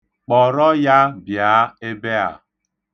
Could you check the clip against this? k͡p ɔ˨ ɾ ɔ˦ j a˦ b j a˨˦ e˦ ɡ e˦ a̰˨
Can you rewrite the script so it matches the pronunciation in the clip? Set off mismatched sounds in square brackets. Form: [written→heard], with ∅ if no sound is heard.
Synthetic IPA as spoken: k͡p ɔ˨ ɾ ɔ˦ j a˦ b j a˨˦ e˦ [ɡ→b] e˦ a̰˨

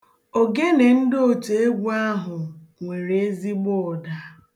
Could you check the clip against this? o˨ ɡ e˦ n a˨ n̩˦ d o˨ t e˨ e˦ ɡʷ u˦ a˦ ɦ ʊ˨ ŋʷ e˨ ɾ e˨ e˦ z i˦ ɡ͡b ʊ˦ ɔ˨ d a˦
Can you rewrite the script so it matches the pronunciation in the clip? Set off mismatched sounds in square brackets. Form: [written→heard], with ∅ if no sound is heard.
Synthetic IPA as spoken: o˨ ɡ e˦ n [a˨→e˨] n̩˦ d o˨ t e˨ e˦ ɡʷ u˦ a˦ ɦ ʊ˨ ŋʷ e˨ ɾ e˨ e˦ z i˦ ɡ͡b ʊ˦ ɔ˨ d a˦

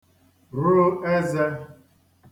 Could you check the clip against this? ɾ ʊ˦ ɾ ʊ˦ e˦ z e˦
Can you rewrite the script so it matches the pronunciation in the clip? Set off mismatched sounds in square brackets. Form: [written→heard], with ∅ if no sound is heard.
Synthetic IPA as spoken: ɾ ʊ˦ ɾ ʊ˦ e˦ z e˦

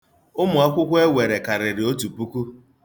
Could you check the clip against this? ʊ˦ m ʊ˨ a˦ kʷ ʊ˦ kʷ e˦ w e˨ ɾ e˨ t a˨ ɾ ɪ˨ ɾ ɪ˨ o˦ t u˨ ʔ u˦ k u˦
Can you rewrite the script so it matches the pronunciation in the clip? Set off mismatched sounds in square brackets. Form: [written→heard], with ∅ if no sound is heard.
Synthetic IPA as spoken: ʊ˦ m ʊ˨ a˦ kʷ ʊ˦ kʷ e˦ w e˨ ɾ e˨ [t→k] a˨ ɾ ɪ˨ ɾ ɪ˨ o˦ t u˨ [ʔ→p] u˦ k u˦

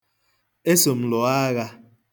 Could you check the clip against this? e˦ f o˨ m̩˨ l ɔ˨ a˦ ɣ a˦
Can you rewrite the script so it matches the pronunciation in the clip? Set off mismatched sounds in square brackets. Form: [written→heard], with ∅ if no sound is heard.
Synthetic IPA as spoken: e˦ [f→s] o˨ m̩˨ l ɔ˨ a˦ ɣ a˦

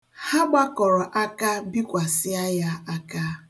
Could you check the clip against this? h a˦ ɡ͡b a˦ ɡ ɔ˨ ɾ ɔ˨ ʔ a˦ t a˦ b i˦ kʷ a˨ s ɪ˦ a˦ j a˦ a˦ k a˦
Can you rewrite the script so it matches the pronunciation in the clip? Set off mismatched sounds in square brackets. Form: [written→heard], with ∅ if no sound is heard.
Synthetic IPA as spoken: h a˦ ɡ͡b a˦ [ɡ→k] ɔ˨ ɾ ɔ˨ ʔ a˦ [t→k] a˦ b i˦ kʷ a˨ s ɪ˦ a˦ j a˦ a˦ k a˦

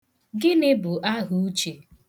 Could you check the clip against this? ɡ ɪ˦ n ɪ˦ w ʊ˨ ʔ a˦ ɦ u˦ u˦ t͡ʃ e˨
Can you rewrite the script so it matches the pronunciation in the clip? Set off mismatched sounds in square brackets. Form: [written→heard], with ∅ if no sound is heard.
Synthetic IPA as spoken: ɡ ɪ˦ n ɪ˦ [w→b] ʊ˨ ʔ a˦ ɦ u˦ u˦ t͡ʃ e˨

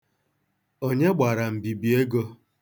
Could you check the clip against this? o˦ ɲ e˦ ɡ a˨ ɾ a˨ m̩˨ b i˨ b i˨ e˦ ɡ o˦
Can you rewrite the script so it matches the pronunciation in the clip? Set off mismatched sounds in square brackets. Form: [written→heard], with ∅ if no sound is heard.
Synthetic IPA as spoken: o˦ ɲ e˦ [ɡ→ɡ͡b] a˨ ɾ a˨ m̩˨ b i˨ b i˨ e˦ ɡ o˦

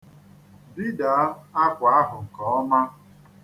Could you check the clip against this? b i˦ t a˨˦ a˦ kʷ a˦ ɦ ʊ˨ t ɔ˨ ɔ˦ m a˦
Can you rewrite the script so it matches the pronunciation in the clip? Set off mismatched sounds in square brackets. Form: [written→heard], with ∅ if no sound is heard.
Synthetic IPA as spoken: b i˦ [t→d] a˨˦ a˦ kʷ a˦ ɦ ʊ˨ [t→k] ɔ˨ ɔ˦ m a˦

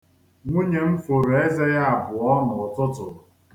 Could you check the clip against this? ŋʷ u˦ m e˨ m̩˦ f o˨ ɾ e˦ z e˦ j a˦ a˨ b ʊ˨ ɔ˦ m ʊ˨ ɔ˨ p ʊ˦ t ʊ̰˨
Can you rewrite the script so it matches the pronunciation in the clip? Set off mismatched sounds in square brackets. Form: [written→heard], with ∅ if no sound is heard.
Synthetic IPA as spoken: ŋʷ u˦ [m→ɲ] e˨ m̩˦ f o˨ ɾ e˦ z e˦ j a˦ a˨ b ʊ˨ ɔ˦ [m→n] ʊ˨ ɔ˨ [p→t] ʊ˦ t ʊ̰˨

